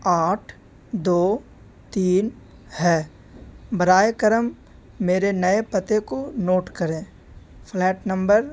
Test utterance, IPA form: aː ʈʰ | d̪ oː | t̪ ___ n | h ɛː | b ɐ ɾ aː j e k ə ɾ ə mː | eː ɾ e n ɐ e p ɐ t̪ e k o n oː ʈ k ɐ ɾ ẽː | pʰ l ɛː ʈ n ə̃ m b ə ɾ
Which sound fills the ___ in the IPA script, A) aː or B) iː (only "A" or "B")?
B